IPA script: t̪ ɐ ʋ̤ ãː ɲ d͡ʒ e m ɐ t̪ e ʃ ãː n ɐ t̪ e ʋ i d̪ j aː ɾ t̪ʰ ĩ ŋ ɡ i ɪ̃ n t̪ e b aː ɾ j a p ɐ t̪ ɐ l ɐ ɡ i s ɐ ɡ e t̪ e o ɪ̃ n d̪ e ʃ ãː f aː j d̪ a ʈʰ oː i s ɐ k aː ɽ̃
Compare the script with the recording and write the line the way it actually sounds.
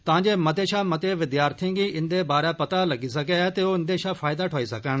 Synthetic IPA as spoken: t̪ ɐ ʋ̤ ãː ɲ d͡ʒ e m ɐ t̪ e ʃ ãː m ɐ t̪ e ʋ ɪ d̪ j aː ɾ t̪ʰ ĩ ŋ ɡ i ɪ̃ n d̪ e b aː ɾ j a p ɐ t̪ a l ɐ ɡ i s ɐ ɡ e t̪ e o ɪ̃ n d̪ e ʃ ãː f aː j d̪ a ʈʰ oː i s ɐ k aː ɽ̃